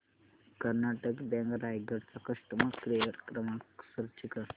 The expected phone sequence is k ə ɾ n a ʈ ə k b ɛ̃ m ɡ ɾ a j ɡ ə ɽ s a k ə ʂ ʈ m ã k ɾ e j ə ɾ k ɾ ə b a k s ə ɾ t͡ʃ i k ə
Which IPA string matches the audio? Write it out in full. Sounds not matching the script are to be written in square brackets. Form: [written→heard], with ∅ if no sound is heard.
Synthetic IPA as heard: k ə ɾ n a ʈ ə k b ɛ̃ [m→ŋ] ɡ ɾ a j ɡ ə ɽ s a k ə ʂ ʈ m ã k ɾ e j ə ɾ k ɾ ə [b→m] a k s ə ɾ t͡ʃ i k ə